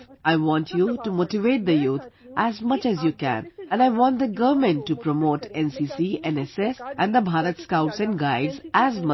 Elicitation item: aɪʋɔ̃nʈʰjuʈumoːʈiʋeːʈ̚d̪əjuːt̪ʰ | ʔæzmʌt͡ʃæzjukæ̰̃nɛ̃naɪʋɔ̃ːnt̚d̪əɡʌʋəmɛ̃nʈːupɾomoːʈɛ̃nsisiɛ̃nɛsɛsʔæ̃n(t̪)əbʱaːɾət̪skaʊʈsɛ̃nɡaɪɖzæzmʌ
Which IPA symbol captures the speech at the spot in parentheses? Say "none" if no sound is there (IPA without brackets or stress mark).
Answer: d̪